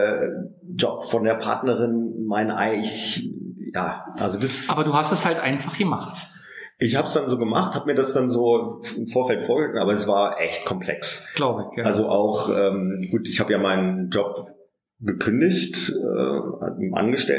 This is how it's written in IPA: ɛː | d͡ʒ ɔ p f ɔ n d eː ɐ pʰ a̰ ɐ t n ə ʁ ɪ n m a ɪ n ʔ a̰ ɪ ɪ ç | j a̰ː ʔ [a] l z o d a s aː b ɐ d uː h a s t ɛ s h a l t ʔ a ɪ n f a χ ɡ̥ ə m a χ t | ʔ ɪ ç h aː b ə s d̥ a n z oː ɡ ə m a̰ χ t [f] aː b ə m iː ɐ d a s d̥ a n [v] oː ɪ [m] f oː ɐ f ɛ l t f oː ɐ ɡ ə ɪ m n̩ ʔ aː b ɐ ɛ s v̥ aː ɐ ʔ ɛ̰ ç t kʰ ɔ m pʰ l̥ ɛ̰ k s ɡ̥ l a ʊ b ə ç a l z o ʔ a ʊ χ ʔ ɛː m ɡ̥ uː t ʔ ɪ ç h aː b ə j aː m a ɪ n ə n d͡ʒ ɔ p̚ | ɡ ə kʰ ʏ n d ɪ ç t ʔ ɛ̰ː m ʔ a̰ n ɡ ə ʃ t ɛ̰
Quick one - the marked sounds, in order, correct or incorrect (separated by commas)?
correct, incorrect, incorrect, correct